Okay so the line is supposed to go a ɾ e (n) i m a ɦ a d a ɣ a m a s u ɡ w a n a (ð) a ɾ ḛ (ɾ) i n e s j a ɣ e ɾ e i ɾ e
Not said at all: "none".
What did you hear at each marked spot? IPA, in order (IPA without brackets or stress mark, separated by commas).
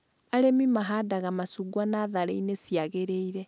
m, ð, none